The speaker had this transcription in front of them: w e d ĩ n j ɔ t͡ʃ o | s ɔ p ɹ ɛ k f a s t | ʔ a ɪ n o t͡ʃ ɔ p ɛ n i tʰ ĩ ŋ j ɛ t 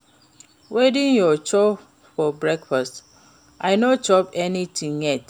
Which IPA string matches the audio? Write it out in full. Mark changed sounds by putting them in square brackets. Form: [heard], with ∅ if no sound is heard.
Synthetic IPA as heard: w e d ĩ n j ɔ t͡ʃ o | [f] ɔ [b] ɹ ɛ k f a s t | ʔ a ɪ n o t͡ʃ ɔ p ɛ n i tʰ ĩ ŋ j ɛ t